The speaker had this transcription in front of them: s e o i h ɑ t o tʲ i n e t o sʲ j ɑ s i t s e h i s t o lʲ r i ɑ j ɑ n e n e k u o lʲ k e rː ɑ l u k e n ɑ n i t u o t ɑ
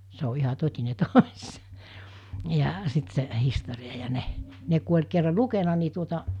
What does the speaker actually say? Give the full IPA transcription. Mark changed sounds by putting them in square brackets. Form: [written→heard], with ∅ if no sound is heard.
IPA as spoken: s e o i h ɑ t o tʲ i n e t o sʲ j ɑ s i t s e h i s t o [lʲ→∅] r i ɑ j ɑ n e n e k u o lʲ k e rː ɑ l u k e n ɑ n i t u o t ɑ